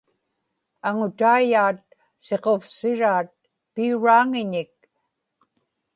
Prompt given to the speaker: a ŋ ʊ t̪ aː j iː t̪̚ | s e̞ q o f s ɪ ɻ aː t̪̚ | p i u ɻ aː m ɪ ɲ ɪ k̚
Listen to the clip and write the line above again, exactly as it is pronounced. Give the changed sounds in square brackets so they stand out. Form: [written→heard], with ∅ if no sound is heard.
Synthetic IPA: a ŋ ʊ t̪ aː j [iː→aː] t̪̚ | s e̞ q o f s ɪ ɻ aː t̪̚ | p i u ɻ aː [m→ŋ] ɪ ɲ ɪ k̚